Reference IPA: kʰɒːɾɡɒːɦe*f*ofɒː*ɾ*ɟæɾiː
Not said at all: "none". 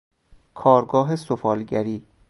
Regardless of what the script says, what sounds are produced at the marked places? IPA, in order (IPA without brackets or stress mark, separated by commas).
s, l